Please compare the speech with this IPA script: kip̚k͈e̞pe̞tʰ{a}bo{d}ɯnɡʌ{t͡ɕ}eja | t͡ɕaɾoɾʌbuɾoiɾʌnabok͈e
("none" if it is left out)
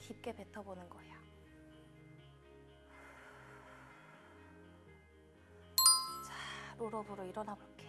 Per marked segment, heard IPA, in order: ʌ, n, none

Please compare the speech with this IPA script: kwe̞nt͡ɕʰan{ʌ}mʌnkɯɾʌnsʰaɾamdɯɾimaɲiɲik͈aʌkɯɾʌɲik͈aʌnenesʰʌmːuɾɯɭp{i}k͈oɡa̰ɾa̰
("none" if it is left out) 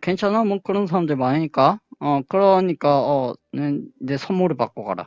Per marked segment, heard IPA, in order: a, a

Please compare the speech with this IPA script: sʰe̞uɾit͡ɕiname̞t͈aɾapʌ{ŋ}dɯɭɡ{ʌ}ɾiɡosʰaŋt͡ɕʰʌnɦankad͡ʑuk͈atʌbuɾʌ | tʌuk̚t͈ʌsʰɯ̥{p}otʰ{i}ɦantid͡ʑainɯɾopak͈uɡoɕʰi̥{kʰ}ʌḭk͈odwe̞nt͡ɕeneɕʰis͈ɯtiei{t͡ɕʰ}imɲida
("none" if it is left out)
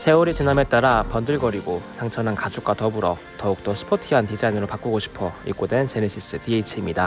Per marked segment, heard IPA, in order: n, ʌ, pʰ, i, pʰ, t͡ɕʰ

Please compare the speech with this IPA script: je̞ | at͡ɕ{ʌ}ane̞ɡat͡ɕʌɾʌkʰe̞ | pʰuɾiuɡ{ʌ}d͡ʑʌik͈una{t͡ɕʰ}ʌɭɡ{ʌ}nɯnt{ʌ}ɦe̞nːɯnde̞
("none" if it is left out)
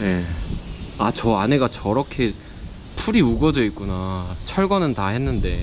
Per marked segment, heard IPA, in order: ʌ, ʌ, t͡ɕʰ, ʌ, a

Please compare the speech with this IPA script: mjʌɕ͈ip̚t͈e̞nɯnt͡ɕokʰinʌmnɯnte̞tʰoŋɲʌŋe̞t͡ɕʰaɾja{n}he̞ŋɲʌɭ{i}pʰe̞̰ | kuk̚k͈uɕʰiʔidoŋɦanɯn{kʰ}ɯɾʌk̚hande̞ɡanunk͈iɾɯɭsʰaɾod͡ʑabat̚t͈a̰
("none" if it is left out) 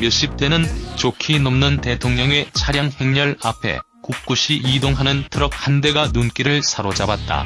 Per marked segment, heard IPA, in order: ŋ, a, tʰ

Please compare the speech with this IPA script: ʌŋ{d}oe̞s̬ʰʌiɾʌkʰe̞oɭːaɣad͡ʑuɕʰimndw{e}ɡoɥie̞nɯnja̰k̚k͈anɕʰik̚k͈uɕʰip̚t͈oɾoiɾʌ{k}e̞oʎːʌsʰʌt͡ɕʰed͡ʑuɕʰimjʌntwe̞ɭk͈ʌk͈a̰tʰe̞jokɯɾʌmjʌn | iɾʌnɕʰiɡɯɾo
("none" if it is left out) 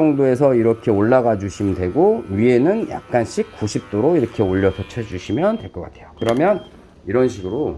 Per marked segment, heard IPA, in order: d, e, kʰ

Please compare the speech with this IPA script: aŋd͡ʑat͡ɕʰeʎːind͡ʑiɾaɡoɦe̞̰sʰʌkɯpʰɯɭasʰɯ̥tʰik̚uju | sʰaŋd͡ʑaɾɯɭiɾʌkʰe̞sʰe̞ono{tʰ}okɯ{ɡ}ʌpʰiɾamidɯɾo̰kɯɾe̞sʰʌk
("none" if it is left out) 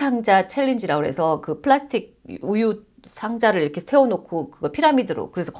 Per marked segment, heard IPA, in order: kʰ, ɡ

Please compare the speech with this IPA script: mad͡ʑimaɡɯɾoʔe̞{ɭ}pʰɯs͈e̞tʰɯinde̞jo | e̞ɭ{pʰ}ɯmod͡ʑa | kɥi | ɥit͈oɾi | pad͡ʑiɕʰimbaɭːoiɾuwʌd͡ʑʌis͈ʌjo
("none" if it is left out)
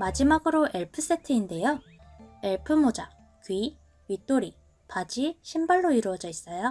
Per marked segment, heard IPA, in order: ɭ, pʰ

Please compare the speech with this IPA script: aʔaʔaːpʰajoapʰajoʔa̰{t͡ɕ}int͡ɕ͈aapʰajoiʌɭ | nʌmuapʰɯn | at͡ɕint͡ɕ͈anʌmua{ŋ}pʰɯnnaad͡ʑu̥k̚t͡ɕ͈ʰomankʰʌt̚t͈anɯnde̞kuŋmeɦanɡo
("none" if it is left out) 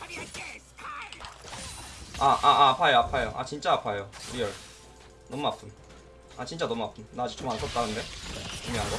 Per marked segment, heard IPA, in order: t͡ɕ, none

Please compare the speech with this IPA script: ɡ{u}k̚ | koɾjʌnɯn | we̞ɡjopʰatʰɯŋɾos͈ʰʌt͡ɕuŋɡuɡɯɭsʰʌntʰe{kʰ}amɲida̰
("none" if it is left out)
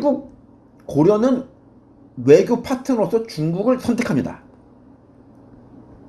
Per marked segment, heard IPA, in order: u, kʰ

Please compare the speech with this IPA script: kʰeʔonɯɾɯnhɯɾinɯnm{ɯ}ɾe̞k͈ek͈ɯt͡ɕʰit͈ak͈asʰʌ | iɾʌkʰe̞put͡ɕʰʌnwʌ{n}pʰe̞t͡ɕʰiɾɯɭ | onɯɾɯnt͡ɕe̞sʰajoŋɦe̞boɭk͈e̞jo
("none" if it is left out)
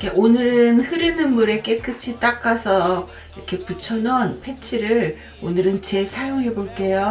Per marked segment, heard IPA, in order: u, n

